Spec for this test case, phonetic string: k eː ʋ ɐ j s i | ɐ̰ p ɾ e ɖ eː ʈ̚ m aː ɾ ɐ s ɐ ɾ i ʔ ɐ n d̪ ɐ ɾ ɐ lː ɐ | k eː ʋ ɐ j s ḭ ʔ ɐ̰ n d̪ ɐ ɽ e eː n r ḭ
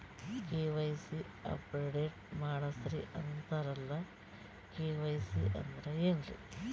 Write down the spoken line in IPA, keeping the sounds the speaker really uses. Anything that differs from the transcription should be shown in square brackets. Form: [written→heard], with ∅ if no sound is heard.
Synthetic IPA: k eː ʋ ɐ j s i | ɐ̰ p ɾ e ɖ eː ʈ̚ m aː [ɾ→ɽ] ɐ s ɐ ɾ i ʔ ɐ n [d̪→t̪] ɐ ɾ ɐ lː ɐ | k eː ʋ ɐ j s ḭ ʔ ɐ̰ n d̪ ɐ [ɽ→ɾ] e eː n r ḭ

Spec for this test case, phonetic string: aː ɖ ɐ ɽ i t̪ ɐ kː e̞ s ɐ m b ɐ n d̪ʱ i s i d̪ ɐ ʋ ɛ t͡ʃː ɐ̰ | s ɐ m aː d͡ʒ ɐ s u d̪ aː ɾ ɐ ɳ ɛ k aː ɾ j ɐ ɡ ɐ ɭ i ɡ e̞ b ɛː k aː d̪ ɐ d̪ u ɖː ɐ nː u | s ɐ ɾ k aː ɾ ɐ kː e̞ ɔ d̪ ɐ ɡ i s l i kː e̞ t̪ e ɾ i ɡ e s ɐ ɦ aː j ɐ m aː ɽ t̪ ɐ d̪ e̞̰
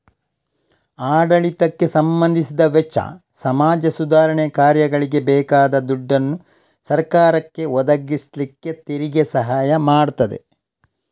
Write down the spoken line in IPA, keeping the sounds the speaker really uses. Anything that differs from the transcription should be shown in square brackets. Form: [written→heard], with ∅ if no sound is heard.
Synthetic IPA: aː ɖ ɐ [ɽ→ɭ] i t̪ ɐ kː e̞ s ɐ m b ɐ n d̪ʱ i s i d̪ ɐ ʋ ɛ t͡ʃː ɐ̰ | s ɐ m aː d͡ʒ ɐ s u d̪ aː ɾ ɐ ɳ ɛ k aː ɾ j ɐ ɡ ɐ ɭ i ɡ e̞ b ɛː k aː d̪ ɐ d̪ u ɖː ɐ nː u | s ɐ ɾ k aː ɾ ɐ kː e̞ ɔ d̪ ɐ ɡ i s l i kː e̞ t̪ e ɾ i ɡ e s ɐ ɦ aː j ɐ m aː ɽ t̪ ɐ d̪ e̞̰

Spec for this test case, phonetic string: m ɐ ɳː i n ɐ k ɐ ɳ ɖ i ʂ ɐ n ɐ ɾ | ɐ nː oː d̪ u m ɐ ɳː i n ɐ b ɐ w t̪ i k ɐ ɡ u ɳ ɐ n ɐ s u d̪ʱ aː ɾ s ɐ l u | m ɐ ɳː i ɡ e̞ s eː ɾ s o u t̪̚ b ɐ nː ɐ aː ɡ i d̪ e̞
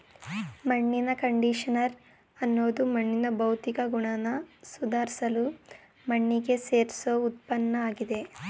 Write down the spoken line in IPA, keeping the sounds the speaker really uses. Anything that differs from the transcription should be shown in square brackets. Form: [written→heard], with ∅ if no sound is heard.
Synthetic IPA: m ɐ ɳː i n ɐ k ɐ ɳ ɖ i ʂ ɐ n ɐ ɾ | ɐ nː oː d̪ u m ɐ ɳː i n ɐ b ɐ w t̪ i k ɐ ɡ u ɳ ɐ n ɐ s u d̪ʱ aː ɾ s ɐ l u | m ɐ ɳː i ɡ e̞ s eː ɾ s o u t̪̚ [b→p] ɐ nː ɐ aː ɡ i d̪ e̞

